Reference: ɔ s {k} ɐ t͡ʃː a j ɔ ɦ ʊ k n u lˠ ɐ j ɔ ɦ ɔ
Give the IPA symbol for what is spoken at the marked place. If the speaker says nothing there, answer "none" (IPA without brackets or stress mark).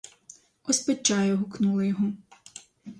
p